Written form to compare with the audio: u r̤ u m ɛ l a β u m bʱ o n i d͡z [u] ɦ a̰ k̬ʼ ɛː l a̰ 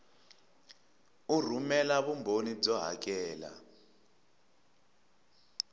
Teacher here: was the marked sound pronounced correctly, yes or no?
no